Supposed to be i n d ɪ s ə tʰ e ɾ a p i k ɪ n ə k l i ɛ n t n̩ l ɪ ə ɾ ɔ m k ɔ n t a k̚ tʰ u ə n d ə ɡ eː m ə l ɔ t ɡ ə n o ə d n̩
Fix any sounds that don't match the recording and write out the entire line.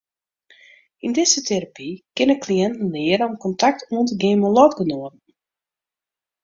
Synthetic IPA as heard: i n d ɪ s ə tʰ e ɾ a p i k ɪ n ə k l i ɛ n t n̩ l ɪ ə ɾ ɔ m k ɔ n t a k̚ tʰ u ə n t ə ɡ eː m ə l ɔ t ɡ ə n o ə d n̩